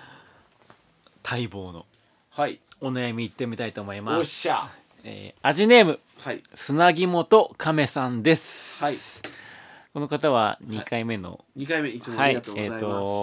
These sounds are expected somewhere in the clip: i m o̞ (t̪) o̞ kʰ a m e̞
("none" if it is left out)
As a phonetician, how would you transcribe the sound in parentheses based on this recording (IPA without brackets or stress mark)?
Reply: t̪